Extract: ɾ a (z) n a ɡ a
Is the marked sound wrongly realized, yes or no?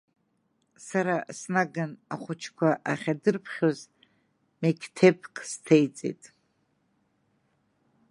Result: yes